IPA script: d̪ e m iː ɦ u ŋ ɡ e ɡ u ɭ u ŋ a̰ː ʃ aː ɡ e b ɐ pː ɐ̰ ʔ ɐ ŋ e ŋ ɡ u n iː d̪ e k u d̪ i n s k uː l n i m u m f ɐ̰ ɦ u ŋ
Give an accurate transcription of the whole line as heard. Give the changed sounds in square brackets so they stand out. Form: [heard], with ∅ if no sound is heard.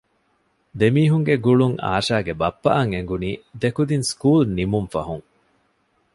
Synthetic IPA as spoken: d̪ e m iː ɦ u ŋ ɡ e ɡ u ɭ u ŋ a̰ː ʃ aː ɡ e b ɐ pː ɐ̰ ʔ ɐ ŋ e ŋ ɡ u n iː d̪ e k u d̪ i n s k uː l n i m u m f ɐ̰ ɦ u ŋ

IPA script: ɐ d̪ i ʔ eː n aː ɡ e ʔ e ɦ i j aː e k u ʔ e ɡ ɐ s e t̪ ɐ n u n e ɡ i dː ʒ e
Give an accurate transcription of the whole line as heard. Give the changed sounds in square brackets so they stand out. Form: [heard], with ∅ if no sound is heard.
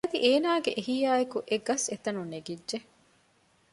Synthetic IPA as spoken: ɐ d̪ i ʔ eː n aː ɡ e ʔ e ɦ i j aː e k u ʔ e ɡ ɐ s e t̪ ɐ n u n e ɡ i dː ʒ e

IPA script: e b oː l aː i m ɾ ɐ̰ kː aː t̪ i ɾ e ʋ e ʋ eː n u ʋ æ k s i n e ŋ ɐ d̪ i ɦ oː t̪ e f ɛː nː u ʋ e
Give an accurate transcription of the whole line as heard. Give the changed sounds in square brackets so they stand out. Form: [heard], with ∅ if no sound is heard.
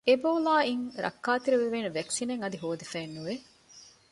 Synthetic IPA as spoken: e b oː l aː i [ŋ] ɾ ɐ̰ kː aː t̪ i ɾ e ʋ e ʋ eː n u ʋ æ k s i n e ŋ ɐ d̪ i ɦ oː [d̪] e f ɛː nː u ʋ e

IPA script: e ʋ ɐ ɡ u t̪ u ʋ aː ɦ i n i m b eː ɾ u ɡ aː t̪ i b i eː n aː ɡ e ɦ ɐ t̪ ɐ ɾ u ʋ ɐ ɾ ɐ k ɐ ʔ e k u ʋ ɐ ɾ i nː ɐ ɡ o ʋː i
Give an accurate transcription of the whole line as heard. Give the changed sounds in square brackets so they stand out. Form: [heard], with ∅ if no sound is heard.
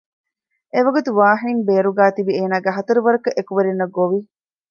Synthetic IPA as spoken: e ʋ ɐ ɡ u t̪ u ʋ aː ɦ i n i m b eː ɾ u ɡ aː t̪ i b i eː n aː ɡ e ɦ ɐ t̪ ɐ ɾ u ʋ ɐ ɾ ɐ k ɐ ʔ e k u ʋ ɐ ɾ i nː ɐ ɡ o [ʋ] i

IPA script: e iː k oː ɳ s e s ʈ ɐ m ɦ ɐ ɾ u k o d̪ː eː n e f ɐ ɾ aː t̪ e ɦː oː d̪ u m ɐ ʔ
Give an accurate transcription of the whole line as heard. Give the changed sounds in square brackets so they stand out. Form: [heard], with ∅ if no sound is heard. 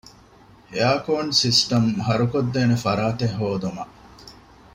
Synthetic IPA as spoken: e [aː] k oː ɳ s [i] s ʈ ɐ m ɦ ɐ ɾ u k o d̪ː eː n e f ɐ ɾ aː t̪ e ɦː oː d̪ u m ɐ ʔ

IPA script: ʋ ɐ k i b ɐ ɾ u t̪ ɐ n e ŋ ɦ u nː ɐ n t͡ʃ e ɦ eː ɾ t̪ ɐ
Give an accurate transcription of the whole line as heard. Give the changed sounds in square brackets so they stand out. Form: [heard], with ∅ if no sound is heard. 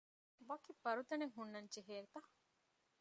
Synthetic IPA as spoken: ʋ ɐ k i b ɐ ɾ u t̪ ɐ n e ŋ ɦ u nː ɐ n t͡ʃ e ɦ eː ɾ t̪ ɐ

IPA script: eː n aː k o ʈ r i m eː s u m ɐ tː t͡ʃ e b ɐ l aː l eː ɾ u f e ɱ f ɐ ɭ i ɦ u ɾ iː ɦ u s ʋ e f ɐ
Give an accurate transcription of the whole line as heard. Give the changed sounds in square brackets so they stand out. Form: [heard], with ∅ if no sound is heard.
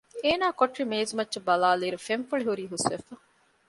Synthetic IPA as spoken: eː n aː k o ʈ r i m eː [z] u m ɐ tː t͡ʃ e b ɐ l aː l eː ɾ u f e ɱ f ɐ ɭ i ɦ u ɾ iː ɦ u s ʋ e f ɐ

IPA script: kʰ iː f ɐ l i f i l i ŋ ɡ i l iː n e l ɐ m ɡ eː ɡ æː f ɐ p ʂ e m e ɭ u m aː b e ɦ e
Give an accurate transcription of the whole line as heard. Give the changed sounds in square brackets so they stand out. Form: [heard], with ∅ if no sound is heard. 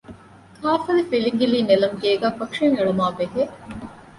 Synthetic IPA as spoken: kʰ [aː] f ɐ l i f i l i ŋ ɡ i l iː n e l ɐ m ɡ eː ɡ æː f ɐ [k] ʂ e [ŋ] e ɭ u m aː b e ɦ e

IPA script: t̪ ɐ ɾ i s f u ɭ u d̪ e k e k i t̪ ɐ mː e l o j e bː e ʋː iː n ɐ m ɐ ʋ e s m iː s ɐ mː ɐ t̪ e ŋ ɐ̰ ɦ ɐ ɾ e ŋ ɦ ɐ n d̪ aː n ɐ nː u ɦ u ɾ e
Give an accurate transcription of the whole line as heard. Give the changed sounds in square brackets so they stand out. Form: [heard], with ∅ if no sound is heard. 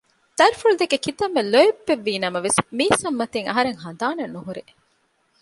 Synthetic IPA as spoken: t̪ ɐ ɾ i [∅] f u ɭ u d̪ e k e k i t̪ ɐ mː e l o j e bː e ʋː iː n ɐ m ɐ ʋ e s m iː s ɐ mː ɐ t̪ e ŋ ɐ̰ ɦ ɐ ɾ e ŋ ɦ ɐ n d̪ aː n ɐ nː u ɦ u ɾ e

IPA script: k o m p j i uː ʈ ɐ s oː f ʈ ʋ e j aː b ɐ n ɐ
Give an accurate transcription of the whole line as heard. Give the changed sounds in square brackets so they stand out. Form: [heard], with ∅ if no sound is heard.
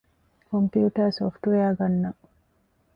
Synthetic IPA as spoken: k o m p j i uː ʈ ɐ s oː f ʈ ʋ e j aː [ɡ] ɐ [nː] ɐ

